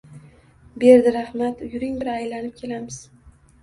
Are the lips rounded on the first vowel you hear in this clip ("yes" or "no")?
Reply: no